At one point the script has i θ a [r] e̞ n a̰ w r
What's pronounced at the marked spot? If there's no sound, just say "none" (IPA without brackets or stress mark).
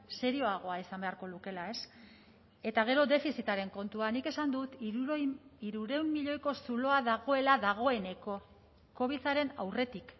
ɾ